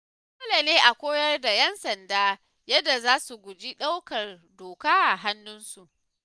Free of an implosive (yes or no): no